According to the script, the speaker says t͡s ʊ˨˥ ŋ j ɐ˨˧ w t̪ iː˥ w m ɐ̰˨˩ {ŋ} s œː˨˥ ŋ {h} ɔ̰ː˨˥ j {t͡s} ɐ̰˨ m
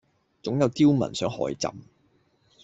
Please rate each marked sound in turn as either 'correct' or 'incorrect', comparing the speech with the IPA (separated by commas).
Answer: incorrect, correct, correct